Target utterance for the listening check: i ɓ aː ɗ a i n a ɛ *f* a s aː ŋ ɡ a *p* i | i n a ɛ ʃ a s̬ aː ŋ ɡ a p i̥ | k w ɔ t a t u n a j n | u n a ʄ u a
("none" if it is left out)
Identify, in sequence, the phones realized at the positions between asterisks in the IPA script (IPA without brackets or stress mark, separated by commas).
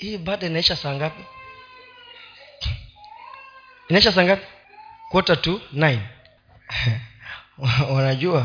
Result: ʃ, p